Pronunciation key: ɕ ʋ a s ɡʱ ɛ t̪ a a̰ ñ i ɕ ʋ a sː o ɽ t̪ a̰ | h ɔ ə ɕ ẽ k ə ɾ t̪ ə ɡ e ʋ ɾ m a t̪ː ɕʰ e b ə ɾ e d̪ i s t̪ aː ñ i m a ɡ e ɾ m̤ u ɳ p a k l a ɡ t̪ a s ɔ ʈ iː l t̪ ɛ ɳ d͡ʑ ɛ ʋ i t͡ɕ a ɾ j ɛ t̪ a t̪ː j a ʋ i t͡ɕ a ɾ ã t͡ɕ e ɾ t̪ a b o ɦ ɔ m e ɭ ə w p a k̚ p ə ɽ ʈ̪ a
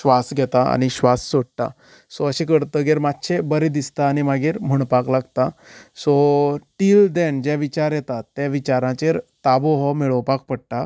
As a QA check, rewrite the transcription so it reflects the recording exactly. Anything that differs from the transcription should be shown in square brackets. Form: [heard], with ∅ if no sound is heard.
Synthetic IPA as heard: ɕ ʋ a s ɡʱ ɛ t̪ a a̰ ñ i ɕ ʋ a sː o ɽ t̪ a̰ | [s] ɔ ə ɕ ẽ k ə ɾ t̪ ə ɡ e [∅] ɾ m a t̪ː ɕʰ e b ə ɾ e d̪ i s t̪ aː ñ i m a ɡ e ɾ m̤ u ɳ p a k l a ɡ t̪ a s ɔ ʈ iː l [d̪] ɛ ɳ d͡ʑ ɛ ʋ i t͡ɕ a ɾ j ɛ t̪ a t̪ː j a ʋ i t͡ɕ a ɾ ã t͡ɕ e ɾ t̪ a b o ɦ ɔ m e ɭ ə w p a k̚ p ə ɽ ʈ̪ a